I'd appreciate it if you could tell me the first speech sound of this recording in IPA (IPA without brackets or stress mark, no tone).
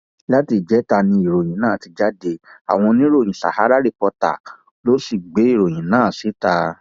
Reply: l